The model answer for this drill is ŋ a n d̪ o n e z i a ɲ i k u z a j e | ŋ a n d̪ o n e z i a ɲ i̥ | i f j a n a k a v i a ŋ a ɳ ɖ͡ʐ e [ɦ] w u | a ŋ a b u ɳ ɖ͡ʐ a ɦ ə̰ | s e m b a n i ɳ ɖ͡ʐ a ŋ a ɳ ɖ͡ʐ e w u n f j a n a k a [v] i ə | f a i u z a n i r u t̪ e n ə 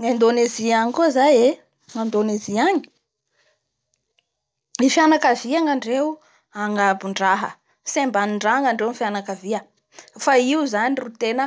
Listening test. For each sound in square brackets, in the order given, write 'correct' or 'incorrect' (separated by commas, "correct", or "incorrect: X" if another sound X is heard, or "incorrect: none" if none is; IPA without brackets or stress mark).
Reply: incorrect: none, correct